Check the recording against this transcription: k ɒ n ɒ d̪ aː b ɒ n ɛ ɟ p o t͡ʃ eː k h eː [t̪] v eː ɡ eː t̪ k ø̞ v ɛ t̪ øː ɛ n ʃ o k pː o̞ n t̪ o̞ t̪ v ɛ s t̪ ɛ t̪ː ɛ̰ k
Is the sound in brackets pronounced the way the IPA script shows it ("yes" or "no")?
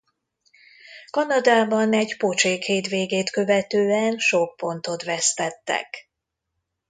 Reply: yes